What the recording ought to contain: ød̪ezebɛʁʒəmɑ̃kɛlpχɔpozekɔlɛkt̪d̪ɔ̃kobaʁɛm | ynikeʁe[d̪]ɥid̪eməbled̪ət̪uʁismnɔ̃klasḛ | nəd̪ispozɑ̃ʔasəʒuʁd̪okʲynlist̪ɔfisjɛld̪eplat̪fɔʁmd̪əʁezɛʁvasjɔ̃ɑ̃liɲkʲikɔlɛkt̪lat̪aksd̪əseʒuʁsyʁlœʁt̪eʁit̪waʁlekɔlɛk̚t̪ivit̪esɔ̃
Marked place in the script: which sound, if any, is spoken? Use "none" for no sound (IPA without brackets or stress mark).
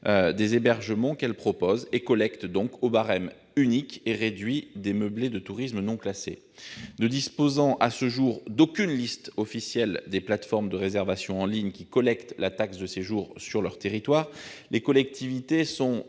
d̪